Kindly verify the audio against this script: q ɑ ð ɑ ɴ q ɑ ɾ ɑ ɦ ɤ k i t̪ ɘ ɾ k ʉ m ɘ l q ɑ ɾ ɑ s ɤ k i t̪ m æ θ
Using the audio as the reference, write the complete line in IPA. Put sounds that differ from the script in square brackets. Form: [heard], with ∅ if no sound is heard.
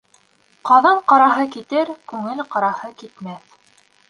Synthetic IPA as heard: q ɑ ð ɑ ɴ q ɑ ɾ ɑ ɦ ɤ k i t̪ ɘ ɾ k ʉ [ŋ] ɘ l q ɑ ɾ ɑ [h] ɤ k i t̪ m æ θ